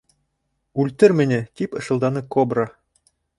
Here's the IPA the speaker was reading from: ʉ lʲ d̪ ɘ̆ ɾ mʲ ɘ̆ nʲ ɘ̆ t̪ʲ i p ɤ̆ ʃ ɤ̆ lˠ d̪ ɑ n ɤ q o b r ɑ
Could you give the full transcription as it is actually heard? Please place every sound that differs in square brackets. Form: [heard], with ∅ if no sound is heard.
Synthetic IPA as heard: ʉ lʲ [t̪] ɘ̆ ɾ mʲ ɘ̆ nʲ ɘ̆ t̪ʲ i p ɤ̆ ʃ ɤ̆ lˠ d̪ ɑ n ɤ [k] o b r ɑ